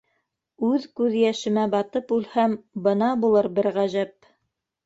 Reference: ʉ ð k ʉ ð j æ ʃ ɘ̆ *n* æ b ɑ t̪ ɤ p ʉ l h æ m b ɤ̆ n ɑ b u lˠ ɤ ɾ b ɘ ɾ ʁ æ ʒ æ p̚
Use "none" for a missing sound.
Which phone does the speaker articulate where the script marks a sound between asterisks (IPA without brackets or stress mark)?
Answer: m